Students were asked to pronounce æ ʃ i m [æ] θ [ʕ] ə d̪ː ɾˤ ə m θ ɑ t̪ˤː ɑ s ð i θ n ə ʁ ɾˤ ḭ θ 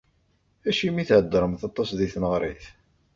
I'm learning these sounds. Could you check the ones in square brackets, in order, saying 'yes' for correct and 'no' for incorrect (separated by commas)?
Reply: no, yes